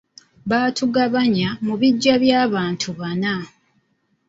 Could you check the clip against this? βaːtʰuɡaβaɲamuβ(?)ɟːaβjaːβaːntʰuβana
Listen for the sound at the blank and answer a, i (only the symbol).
i